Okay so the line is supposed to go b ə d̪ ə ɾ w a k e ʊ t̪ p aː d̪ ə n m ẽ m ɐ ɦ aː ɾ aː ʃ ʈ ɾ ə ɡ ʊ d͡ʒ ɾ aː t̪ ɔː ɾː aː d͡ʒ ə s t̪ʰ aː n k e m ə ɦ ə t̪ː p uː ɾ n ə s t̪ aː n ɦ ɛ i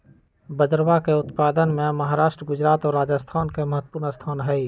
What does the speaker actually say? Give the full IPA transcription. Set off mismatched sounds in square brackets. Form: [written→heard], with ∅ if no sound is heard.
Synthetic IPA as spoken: b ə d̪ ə ɾ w a k e ʊ t̪ p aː d̪ ə n m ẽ m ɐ ɦ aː ɾ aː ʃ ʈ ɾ ə ɡ ʊ d͡ʒ ɾ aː t̪ ɔː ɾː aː d͡ʒ ə s t̪ʰ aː n k e m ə ɦ ə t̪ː p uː ɾ n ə s [t̪→t̪ʰ] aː n ɦ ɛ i